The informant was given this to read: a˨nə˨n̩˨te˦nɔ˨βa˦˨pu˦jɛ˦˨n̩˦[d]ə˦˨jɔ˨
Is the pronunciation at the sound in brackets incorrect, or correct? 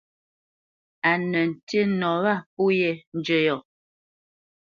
incorrect